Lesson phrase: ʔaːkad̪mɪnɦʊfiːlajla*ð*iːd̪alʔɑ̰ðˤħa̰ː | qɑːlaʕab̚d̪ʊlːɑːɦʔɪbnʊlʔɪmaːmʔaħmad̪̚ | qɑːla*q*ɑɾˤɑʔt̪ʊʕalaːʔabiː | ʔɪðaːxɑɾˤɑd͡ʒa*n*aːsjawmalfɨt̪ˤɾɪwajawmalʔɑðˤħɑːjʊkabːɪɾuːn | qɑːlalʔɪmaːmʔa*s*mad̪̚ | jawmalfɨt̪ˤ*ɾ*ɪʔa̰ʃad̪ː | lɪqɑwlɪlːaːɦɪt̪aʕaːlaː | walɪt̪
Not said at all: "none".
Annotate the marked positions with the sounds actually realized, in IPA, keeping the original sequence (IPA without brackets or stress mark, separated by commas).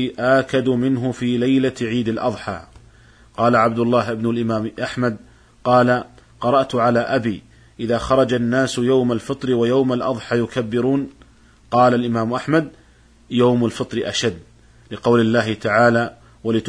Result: ʕ, q, nː, ħ, ɾ